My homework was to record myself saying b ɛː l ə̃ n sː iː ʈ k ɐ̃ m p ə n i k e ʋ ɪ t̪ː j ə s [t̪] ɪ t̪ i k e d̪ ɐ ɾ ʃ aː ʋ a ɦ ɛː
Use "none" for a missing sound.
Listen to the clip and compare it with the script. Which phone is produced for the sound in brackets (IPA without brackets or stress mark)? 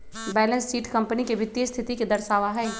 t̪ʰ